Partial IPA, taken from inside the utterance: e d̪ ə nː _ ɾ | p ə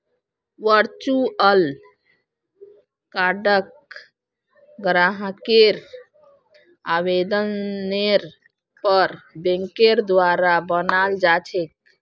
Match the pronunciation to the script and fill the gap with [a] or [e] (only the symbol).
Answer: e